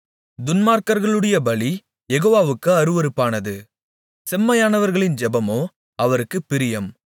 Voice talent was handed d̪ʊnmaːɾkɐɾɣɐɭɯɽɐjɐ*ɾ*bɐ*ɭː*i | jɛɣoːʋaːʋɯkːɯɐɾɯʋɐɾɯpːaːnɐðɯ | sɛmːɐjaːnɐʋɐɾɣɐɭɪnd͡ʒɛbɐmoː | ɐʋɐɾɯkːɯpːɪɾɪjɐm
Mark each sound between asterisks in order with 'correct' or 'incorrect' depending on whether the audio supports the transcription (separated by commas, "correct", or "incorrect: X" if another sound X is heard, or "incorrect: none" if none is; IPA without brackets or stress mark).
incorrect: none, incorrect: ɭ